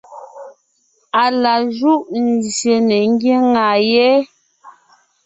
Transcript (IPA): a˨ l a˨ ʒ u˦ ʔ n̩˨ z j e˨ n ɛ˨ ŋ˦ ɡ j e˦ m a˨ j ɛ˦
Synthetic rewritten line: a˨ l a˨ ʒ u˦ ʔ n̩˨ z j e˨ n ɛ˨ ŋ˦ ɡ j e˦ ŋ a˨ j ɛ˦